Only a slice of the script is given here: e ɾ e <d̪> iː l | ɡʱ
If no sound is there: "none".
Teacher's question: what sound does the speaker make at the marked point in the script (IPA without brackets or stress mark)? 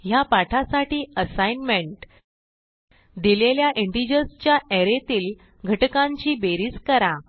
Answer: t̪